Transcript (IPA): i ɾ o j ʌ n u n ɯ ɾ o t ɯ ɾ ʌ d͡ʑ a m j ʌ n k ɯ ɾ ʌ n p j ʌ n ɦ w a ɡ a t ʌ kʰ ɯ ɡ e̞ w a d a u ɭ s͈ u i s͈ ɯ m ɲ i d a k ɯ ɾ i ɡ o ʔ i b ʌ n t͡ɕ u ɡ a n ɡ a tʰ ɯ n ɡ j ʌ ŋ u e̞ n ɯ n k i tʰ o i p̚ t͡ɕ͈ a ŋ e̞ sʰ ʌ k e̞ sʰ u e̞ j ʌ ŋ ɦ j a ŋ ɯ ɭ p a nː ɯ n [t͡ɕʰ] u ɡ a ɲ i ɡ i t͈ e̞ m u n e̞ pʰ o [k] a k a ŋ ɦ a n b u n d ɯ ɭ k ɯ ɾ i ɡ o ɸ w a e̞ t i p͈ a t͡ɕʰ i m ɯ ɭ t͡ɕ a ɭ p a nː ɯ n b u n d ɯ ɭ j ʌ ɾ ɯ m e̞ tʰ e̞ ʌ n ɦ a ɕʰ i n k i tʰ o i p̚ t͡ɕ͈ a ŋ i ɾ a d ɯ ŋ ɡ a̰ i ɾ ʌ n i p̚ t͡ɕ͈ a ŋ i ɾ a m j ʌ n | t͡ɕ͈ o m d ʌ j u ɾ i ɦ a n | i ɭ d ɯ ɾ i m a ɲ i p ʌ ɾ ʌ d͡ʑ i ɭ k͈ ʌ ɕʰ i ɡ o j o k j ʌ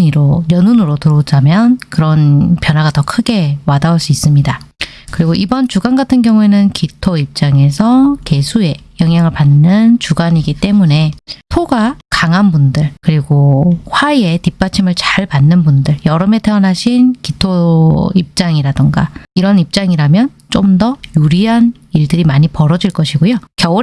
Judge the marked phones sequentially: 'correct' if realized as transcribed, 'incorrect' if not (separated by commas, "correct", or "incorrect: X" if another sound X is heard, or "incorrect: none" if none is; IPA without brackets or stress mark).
incorrect: t͡ɕ, incorrect: ɡ